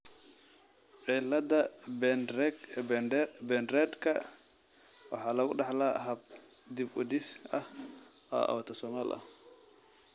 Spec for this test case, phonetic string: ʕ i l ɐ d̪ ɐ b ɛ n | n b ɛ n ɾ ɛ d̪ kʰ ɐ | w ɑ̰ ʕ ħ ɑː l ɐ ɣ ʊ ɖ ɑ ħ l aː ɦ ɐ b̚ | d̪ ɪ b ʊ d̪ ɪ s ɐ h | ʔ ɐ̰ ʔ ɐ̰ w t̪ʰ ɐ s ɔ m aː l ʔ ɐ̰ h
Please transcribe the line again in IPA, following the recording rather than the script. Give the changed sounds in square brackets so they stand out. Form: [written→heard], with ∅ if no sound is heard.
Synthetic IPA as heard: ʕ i l ɐ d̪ ɐ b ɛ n | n b ɛ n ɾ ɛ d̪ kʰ ɐ | w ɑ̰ [ʕ→∅] ħ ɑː l ɐ ɣ ʊ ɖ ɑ ħ l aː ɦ ɐ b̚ | d̪ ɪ b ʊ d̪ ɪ s ɐ h | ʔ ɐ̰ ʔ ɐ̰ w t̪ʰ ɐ s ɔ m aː l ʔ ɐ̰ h